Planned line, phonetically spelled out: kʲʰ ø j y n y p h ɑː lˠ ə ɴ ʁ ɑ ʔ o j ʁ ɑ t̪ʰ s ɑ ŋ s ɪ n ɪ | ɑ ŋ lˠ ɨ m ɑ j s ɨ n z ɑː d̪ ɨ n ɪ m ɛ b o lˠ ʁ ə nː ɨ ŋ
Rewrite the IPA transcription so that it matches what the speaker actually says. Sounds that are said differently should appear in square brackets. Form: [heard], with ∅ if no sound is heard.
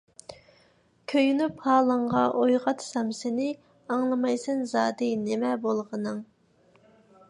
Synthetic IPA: kʲʰ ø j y n y p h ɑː lˠ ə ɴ ʁ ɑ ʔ o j ʁ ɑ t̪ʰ s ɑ [m] s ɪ n ɪ | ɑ ŋ lˠ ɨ m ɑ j s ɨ n z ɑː d̪ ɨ n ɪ m ɛ b o lˠ ʁ ə [n] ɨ ŋ